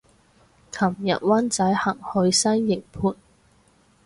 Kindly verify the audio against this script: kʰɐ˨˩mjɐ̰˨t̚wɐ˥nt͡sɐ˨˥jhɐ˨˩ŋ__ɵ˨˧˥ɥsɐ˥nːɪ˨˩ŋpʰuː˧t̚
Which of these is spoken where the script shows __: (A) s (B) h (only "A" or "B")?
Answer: B